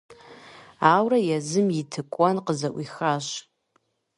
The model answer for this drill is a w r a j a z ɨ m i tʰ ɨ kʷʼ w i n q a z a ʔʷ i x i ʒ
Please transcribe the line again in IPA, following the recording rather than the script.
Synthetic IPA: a w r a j a z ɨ m i tʰ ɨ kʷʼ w a n q ə z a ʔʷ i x a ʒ